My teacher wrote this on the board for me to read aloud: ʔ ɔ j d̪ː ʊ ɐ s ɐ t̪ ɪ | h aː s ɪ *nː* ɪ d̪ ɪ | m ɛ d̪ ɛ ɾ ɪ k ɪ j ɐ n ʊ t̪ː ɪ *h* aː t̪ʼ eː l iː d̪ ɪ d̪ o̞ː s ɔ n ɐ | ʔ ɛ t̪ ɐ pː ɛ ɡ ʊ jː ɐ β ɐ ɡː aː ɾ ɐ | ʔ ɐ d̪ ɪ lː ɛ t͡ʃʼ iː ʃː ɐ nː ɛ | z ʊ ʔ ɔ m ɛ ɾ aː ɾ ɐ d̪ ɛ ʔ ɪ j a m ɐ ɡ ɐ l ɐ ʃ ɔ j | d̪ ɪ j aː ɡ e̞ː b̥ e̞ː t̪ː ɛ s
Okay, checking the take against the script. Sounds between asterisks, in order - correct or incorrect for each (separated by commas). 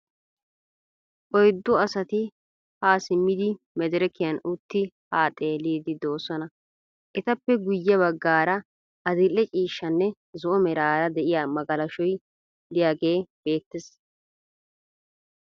incorrect, correct